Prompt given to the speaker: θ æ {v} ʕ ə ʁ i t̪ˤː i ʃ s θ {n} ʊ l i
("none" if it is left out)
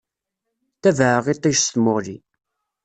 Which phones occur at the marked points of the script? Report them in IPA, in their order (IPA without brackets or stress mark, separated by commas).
v, m